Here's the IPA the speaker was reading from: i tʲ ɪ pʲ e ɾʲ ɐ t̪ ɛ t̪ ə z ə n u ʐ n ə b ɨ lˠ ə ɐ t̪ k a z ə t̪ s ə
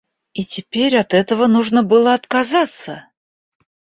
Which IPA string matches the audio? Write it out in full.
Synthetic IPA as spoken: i tʲ ɪ pʲ e ɾʲ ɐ t̪ ɛ t̪ ə v ə n u ʐ n ə b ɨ lˠ ə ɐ t̪ k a z a t̪ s ə

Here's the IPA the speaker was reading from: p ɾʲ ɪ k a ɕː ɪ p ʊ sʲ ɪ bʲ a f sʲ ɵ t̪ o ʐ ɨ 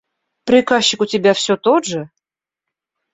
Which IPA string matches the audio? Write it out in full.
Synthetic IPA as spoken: p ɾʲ ɪ k a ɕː ɪ k ʊ tʲ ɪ bʲ a f sʲ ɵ t̪ o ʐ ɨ

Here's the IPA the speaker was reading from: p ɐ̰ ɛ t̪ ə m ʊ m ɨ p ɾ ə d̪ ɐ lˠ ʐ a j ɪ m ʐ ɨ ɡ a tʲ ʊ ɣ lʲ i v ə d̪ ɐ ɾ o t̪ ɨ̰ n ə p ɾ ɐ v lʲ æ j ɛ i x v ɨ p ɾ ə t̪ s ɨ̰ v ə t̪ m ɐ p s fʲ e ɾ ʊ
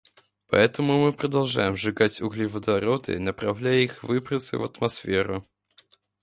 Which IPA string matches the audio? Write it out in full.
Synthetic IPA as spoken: p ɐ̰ ɛ t̪ ə m ʊ m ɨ p ɾ ə d̪ ɐ lˠ ʐ a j ɪ m ʐ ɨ ɡ a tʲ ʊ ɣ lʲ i v ə d̪ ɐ ɾ o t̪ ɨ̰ n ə p ɾ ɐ v lʲ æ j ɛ i x v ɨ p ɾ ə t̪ s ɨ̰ v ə t̪ m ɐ s fʲ e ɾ ʊ

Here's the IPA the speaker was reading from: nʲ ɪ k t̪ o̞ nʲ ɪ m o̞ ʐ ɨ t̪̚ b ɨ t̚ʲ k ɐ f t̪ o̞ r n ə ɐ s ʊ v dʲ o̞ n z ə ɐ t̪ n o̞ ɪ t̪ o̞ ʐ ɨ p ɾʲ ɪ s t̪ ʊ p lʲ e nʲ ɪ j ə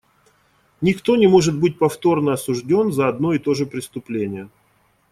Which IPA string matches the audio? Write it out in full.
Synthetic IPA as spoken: nʲ ɪ k t̪ o̞ nʲ ɪ m o̞ ʐ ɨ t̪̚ b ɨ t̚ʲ p ɐ f t̪ o̞ r n ə ɐ s ʊ ʐ dʲ o̞ n z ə ɐ d̪ n o̞ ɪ t̪ o̞ ʐ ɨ p ɾʲ ɪ s t̪ ʊ p lʲ e nʲ ɪ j ə

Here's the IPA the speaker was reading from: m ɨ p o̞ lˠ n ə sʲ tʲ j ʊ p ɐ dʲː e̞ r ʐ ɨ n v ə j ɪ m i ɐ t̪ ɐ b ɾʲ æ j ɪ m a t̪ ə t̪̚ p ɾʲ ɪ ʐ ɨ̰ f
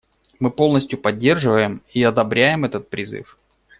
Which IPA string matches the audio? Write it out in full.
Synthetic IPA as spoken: m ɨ p o̞ lˠ n ə sʲ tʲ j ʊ p ɐ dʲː e̞ r ʐ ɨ v ə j ɪ m i ɐ d̪ ɐ b ɾʲ æ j ɪ m ɛ t̪ ə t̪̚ p ɾʲ ɪ z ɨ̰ f

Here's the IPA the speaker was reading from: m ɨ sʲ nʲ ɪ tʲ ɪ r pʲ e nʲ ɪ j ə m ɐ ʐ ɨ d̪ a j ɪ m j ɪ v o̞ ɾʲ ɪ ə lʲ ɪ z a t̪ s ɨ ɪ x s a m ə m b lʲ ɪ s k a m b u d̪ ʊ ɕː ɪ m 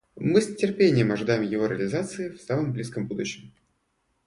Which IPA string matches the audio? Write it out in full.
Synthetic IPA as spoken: m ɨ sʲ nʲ ɪ tʲ ɪ r pʲ e nʲ ɪ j ə m ɐ ʐ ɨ d̪ a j ɪ m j ɪ v o̞ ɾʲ ɪ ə lʲ ɪ z a t̪ s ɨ ɪ f s a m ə m b lʲ i s k ə m b u d̪ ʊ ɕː ɪ m

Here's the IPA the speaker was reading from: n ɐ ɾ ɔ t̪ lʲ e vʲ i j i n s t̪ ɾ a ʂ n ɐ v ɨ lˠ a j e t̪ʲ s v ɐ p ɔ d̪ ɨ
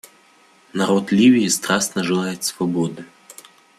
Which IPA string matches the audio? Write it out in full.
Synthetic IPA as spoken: n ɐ ɾ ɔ t̪ lʲ i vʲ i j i s t̪ ɾ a s n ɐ ʐ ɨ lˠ a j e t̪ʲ s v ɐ b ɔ d̪ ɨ

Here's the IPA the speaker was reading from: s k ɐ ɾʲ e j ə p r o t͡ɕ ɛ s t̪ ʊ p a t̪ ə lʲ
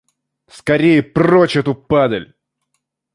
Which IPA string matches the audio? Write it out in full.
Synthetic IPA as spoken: s k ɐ ɾʲ e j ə p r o t͡ɕ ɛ t̪ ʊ p a d̪ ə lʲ

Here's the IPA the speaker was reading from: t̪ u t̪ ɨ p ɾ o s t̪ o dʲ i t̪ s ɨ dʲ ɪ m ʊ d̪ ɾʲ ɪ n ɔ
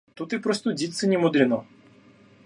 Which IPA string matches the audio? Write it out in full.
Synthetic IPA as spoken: t̪ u t̪ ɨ p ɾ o s t̪ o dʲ i t̪ s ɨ nʲ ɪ m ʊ d̪ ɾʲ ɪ n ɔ

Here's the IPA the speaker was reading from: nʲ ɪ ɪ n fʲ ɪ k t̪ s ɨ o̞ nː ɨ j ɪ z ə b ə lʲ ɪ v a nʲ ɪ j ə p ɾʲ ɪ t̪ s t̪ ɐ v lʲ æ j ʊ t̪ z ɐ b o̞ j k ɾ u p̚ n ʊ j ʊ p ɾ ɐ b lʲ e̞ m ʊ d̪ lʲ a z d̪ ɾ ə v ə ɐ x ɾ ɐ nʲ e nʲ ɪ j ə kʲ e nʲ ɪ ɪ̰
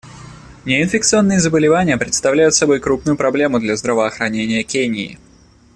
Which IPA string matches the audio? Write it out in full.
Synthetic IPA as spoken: nʲ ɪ ɪ n fʲ ɪ k t̪ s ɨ o̞ nː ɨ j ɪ z ə b ə lʲ ɪ v a nʲ ɪ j ə p ɾʲ ɪ t̪ s t̪ ɐ v lʲ æ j ʊ t̪ s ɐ b o̞ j k ɾ u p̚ n ʊ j ʊ p ɾ ɐ b lʲ e̞ m ʊ d̪ lʲ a z d̪ ɾ ə v ə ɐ x ɾ ɐ nʲ e nʲ ɪ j ə kʲ e nʲ ɪ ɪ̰

